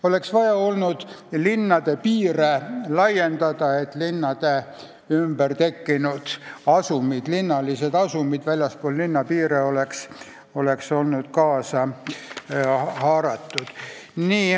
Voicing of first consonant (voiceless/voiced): voiced